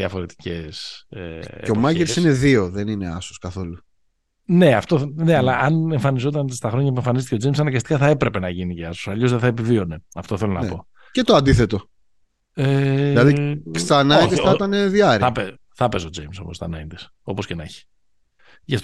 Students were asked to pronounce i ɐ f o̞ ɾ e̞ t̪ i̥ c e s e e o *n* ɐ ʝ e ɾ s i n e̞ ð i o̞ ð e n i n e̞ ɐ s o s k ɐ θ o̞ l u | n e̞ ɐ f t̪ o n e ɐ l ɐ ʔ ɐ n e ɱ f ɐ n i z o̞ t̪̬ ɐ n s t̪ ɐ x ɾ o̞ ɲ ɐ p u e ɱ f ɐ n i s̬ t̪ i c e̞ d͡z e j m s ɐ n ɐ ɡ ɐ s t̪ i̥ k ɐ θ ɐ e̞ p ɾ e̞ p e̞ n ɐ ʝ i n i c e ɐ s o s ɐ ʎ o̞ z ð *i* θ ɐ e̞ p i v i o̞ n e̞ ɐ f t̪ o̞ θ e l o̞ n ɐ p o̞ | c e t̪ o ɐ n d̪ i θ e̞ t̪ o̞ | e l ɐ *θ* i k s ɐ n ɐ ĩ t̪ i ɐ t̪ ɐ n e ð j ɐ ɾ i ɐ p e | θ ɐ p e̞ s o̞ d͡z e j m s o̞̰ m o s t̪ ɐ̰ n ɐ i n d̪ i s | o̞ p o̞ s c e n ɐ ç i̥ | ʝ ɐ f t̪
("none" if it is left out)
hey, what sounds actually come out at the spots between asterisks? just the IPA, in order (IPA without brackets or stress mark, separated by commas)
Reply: m, e, ð